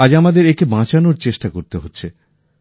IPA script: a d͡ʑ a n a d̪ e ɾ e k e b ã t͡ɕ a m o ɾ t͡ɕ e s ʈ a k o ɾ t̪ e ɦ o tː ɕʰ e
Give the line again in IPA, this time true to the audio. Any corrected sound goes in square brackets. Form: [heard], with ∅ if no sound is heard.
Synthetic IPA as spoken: a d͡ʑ a [m] a d̪ e ɾ e k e b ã t͡ɕ a [n] o ɾ t͡ɕ e [ʃ] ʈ a k o ɾ t̪ e ɦ o tː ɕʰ e